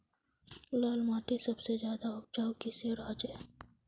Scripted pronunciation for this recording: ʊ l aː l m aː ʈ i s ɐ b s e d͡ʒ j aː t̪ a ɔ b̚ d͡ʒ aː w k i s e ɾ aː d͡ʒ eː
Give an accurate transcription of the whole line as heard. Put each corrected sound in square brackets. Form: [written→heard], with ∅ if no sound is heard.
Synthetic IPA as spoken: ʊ l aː l m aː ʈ i s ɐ b s e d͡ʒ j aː [t̪→d̪] a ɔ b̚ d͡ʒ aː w k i s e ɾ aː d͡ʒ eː